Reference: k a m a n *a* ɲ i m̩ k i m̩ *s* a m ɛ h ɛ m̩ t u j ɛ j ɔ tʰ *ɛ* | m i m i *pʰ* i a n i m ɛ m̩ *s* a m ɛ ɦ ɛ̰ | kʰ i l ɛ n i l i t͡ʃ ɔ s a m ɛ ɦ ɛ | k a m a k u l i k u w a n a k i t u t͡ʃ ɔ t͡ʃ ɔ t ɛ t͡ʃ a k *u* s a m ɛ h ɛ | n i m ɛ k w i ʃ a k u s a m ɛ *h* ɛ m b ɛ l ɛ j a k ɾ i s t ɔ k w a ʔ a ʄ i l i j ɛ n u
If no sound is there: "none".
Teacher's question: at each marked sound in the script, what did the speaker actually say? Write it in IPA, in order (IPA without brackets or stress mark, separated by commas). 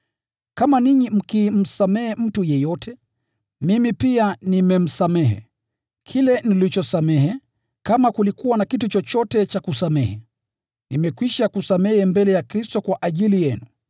i, s, ɛ, p, s, u, h